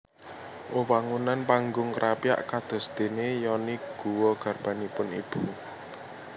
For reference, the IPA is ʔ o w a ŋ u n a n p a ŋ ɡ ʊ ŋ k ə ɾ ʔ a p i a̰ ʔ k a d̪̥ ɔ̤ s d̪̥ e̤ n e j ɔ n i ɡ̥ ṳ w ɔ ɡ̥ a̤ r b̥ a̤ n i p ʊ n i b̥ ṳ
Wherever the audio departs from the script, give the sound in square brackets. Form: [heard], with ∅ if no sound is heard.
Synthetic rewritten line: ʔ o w a ŋ u n a n p a ŋ ɡ ʊ ŋ k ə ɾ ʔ a p i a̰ ʔ k a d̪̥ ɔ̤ s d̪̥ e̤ n e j ɔ n i ɡ̥ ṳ w ɔ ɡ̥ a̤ r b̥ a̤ n i p ʊ n i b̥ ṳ